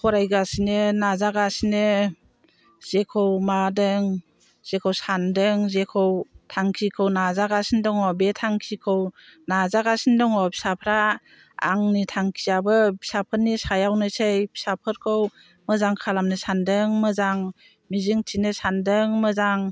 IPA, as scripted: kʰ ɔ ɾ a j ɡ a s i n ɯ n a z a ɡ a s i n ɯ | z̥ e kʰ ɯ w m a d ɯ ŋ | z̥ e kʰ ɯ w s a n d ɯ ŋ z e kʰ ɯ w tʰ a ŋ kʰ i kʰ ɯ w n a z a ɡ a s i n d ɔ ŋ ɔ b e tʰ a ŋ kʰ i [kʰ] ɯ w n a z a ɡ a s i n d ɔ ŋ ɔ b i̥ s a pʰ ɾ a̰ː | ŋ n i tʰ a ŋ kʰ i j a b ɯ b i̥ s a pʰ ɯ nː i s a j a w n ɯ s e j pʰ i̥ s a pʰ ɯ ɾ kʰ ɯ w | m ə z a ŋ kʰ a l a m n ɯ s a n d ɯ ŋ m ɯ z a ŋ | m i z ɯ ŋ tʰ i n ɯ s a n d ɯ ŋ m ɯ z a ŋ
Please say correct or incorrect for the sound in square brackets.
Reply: correct